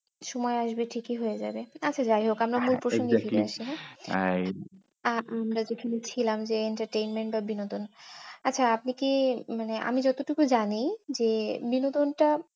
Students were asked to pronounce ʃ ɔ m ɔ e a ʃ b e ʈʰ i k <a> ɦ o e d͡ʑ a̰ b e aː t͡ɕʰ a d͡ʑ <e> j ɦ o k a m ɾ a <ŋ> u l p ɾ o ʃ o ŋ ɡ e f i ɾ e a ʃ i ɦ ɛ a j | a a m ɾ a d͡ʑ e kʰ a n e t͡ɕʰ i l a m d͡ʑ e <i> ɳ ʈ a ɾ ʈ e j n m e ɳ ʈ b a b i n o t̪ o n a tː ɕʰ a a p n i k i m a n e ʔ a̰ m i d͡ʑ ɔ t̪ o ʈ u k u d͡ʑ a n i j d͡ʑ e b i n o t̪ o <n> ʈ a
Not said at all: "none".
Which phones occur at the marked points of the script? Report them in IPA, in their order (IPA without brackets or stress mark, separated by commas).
i, a, m, e, n